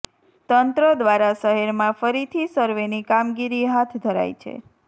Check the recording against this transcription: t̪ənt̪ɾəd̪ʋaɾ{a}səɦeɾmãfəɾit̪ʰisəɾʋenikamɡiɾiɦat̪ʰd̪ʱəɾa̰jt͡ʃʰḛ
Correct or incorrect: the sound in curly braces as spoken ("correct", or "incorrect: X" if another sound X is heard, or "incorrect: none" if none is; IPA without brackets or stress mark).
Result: correct